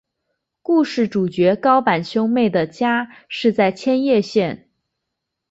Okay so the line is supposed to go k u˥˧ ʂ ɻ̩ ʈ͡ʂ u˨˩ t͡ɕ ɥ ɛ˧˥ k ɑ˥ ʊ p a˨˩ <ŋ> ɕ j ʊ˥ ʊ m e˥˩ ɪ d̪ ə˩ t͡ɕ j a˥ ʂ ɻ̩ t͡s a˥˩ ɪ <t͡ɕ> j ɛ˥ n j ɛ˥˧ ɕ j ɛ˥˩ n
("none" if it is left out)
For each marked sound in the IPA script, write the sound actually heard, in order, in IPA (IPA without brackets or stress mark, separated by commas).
n, t͡ɕʰ